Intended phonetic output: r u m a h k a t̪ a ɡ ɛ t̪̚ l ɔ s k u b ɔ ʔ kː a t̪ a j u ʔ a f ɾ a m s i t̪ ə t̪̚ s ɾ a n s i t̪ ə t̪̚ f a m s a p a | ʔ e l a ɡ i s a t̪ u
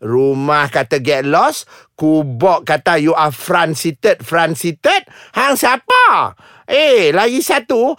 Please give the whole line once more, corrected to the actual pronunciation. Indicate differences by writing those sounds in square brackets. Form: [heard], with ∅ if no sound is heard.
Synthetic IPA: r u m a h k a t̪ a ɡ ɛ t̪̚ l ɔ s k u b ɔ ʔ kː a t̪ a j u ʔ a f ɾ a [n] s i t̪ ə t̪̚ [f] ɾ a n s i t̪ ə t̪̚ [h] a [ŋ] s a p a | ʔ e l a ɡ i s a t̪ u